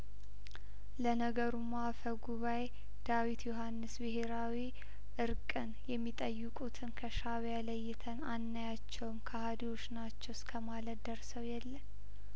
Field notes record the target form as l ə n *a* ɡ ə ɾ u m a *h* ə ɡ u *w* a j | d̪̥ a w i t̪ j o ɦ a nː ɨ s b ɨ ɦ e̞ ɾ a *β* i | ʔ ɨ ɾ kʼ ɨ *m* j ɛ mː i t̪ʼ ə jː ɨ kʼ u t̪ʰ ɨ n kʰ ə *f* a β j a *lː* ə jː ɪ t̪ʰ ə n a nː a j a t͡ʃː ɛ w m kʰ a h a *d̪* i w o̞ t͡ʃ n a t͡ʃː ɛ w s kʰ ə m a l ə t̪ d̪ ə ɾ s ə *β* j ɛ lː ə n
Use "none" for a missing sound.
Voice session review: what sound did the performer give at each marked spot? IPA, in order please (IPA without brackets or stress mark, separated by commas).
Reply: ə, f, β, w, n, ʃ, l, d̪, w